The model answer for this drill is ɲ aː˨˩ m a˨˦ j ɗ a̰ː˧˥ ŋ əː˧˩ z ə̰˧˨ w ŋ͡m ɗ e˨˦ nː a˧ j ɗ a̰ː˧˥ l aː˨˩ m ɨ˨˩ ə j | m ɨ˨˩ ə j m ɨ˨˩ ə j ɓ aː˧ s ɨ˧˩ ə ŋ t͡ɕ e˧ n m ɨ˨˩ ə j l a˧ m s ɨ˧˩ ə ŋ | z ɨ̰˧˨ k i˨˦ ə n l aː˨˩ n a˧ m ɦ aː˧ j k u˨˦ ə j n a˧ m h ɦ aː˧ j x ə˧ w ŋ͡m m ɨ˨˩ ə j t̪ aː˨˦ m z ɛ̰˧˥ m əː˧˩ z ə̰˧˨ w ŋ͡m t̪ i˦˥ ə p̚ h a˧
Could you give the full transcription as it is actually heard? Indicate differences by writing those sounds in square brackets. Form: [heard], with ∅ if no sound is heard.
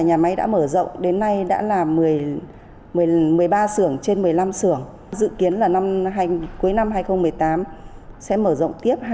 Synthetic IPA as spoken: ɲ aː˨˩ m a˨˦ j ɗ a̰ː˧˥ [m] əː˧˩ z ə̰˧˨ w ŋ͡m ɗ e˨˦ nː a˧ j ɗ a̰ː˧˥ l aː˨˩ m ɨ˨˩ ə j | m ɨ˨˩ ə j m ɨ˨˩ ə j ɓ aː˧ s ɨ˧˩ ə ŋ t͡ɕ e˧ n m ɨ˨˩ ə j l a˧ m s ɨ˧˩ ə ŋ | z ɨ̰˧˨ k i˨˦ ə n l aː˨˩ n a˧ m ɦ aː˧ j k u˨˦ ə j n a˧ m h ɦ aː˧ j x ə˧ w ŋ͡m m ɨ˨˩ ə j t̪ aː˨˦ m [s] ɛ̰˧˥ m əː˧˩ z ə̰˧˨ w ŋ͡m t̪ i˦˥ ə p̚ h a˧

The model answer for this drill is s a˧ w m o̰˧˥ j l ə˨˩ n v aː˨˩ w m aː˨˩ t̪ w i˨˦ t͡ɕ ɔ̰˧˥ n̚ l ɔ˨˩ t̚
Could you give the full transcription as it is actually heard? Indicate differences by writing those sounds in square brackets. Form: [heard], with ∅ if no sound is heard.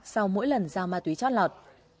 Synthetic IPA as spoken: s a˧ w m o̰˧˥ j l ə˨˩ n [z] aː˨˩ w m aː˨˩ t̪ w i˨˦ t͡ɕ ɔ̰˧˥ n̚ l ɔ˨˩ t̚

